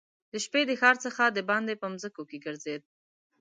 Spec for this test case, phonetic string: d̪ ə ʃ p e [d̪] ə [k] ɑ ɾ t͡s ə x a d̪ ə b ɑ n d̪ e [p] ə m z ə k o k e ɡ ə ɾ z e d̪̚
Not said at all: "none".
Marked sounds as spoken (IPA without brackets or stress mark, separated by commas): d̪, x, p